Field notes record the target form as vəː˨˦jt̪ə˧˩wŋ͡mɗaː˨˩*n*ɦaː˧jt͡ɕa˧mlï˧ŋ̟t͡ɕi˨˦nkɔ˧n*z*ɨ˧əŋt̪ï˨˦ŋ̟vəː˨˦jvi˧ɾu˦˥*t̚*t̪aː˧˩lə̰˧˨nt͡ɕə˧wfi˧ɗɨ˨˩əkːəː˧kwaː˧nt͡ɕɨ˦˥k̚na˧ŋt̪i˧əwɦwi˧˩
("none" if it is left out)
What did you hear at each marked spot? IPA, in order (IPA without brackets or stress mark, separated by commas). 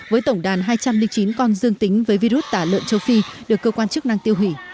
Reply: n, z, t̚